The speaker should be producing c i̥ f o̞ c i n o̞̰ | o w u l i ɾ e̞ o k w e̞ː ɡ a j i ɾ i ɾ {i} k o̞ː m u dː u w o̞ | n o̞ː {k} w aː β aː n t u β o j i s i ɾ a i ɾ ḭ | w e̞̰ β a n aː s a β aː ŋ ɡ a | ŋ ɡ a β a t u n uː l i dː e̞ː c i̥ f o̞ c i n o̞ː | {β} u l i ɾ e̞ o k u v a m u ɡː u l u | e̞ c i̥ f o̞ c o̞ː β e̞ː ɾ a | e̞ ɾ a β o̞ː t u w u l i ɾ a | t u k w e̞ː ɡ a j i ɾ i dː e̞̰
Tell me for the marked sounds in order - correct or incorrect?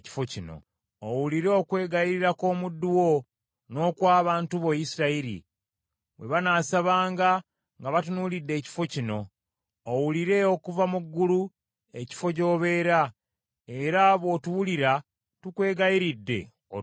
incorrect, correct, incorrect

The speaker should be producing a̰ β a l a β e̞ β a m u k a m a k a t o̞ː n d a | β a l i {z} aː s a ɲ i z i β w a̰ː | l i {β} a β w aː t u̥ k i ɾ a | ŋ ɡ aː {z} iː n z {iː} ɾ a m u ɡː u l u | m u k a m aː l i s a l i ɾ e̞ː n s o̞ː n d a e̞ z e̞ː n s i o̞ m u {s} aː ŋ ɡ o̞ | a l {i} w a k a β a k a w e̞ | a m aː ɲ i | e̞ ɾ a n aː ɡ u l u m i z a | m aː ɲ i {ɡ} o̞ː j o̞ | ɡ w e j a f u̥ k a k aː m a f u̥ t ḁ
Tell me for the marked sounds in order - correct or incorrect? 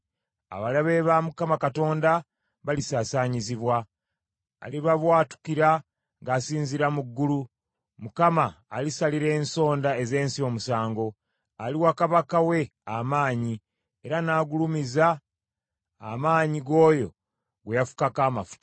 incorrect, correct, incorrect, incorrect, correct, correct, correct

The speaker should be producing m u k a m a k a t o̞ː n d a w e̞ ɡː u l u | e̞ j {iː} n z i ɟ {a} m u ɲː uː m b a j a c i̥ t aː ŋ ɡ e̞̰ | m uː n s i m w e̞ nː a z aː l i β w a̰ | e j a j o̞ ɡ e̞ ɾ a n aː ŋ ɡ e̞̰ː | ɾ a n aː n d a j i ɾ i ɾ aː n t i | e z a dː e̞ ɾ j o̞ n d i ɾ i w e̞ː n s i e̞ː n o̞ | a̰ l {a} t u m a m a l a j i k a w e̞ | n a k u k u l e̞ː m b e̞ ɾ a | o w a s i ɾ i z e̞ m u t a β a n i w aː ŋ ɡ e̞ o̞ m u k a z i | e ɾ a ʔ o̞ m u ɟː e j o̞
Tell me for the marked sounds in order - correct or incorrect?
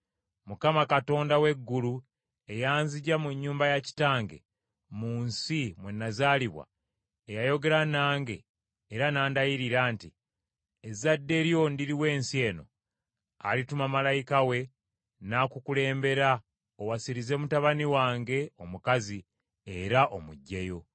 incorrect, correct, incorrect

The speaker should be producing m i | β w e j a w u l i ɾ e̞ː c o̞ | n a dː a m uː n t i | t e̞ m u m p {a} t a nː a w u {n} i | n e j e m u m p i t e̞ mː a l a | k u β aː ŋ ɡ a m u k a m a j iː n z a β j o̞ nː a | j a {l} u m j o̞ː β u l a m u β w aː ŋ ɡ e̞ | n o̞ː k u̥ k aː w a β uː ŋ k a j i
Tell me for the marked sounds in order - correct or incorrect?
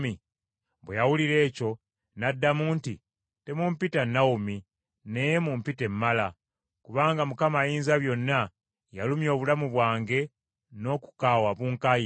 incorrect, incorrect, correct

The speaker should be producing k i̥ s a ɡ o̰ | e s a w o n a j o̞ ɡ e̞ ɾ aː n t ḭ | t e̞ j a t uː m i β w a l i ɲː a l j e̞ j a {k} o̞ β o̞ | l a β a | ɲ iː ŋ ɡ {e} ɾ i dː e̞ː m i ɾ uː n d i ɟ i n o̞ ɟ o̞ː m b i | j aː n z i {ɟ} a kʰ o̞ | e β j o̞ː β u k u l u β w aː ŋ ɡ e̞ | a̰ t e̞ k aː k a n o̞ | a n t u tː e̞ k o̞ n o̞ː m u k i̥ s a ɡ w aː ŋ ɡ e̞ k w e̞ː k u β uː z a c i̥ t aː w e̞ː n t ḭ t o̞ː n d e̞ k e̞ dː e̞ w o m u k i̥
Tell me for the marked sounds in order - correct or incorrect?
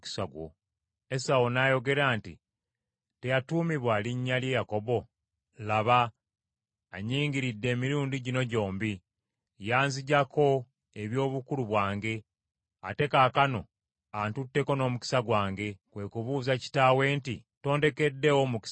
correct, incorrect, correct

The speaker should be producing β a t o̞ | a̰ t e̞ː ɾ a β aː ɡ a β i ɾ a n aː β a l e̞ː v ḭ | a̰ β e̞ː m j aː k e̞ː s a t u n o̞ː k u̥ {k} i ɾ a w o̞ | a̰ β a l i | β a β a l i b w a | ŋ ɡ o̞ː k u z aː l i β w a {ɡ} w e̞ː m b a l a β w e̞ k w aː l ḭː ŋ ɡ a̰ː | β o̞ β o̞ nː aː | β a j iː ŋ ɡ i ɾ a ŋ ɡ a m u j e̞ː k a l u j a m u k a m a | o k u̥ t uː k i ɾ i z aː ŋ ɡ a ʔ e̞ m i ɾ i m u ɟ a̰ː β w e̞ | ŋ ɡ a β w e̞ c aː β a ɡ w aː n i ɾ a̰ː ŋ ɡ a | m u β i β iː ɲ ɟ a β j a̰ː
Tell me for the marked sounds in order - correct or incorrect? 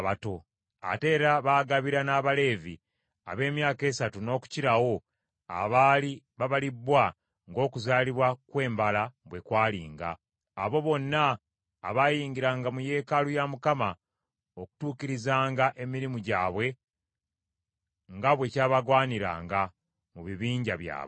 incorrect, incorrect

